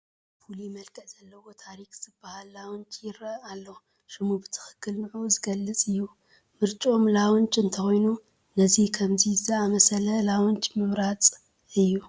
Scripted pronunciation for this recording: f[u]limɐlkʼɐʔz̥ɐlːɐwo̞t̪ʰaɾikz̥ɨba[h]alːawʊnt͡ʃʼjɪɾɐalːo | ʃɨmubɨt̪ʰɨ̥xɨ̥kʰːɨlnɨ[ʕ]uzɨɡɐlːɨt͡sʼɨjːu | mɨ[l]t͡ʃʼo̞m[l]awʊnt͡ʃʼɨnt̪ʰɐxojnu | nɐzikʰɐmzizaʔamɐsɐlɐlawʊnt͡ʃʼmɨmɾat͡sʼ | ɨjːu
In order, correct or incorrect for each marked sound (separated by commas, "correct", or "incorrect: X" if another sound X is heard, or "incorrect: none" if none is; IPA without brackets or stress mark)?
correct, correct, correct, incorrect: ɾ, correct